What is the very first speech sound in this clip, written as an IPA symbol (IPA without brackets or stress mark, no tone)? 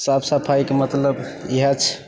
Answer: s